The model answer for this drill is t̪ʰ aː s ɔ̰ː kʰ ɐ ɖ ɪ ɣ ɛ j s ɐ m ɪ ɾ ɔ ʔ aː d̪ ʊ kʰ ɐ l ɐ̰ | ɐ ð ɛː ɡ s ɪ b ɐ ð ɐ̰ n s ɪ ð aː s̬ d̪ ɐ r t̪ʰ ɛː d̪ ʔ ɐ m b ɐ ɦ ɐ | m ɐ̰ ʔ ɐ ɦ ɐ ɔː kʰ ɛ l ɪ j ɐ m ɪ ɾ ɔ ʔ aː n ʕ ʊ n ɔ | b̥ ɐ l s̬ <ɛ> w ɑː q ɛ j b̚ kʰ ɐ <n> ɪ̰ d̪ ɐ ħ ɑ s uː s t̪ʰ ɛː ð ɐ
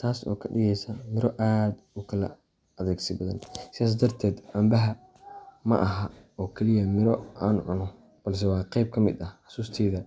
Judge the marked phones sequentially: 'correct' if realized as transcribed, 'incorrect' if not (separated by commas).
correct, incorrect